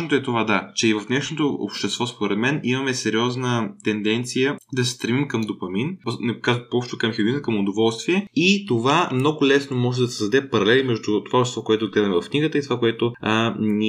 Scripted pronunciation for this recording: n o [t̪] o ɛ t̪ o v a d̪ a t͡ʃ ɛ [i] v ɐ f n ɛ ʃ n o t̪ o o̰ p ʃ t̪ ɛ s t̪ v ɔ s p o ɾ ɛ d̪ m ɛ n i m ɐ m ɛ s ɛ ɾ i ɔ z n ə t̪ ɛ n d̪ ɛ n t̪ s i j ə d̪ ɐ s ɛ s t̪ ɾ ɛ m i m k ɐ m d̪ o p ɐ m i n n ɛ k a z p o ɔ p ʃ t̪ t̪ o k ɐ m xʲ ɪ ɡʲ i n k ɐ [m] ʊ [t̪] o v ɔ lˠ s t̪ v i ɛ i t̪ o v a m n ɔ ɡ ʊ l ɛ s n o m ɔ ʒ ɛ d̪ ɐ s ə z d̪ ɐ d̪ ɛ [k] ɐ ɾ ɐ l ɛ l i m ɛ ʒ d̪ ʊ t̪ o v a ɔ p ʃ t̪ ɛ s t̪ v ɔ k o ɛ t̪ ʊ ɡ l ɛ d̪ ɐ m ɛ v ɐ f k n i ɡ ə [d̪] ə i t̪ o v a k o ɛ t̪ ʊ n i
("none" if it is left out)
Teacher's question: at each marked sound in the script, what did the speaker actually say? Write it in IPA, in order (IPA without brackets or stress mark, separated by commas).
t̪, i, m, d̪, p, t̪